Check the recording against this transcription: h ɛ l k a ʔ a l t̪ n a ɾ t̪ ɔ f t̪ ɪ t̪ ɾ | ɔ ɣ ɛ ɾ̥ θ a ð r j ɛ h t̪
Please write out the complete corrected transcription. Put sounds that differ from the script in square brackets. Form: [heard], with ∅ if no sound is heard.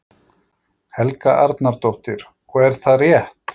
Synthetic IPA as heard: h ɛ l k a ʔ a [ɾ] t̪ n a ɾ t̪ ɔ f t̪ ɪ [∅] ɾ | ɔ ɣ ɛ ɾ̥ θ a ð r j ɛ h t̪